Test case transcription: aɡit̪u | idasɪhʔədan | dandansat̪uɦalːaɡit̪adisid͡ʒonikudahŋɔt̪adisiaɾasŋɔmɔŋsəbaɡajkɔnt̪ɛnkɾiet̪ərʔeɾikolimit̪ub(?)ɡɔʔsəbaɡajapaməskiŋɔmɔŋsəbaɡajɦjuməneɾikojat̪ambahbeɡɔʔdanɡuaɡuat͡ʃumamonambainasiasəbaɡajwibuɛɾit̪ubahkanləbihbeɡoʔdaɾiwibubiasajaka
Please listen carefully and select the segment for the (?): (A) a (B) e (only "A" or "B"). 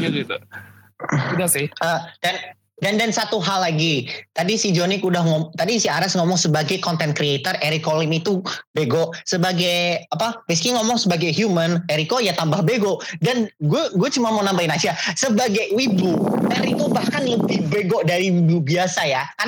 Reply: B